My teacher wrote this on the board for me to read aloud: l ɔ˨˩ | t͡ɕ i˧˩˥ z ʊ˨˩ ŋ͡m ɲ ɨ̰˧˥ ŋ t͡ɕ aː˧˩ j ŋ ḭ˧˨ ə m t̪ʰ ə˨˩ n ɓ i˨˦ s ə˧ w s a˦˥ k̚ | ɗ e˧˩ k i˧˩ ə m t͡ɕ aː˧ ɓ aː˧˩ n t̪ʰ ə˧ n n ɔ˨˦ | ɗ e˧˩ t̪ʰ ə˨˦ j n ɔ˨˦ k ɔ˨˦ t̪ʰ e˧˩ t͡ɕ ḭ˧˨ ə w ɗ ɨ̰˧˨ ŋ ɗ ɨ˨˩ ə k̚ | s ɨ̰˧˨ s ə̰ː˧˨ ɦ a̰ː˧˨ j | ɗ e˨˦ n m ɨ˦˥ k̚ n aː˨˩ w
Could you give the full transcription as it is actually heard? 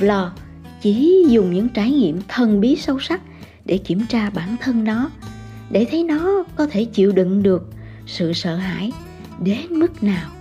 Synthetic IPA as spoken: l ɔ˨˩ | t͡ɕ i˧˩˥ z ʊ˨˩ ŋ͡m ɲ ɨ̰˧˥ ŋ t͡ɕ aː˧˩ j ŋ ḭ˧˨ ə m t̪ʰ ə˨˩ n ɓ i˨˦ s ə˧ w s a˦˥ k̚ | ɗ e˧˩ k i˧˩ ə m t͡ɕ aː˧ ɓ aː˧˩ n t̪ʰ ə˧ n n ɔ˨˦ | ɗ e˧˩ t̪ʰ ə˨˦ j n ɔ˨˦ k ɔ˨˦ t̪ʰ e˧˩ t͡ɕ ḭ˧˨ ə w ɗ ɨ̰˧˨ ŋ ɗ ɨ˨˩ ə k̚ | s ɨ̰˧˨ s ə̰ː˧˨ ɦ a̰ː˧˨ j | ɗ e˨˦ n m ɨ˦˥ k̚ n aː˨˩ w